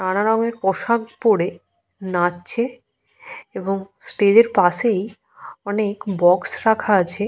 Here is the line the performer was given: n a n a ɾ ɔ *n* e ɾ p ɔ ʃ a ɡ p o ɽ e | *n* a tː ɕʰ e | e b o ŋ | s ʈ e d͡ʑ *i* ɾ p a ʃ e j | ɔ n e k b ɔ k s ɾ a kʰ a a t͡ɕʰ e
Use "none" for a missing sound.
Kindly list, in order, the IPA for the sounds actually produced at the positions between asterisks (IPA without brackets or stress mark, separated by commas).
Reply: ŋ, n, e